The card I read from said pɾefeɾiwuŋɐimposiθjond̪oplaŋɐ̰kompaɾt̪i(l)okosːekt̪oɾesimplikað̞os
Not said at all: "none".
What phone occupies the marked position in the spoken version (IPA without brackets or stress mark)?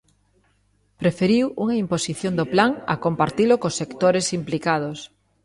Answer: l